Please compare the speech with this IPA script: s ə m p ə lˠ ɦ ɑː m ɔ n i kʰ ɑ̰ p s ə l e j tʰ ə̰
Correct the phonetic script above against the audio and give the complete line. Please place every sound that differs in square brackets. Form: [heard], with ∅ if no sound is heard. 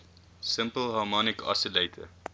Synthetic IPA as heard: s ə m p ə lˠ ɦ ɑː m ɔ n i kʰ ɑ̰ [∅] s ə l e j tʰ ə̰